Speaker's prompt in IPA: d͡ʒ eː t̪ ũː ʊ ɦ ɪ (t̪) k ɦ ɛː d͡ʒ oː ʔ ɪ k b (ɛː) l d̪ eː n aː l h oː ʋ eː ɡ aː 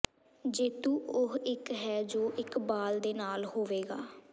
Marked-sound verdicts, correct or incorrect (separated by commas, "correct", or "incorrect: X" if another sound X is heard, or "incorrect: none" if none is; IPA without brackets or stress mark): incorrect: none, incorrect: aː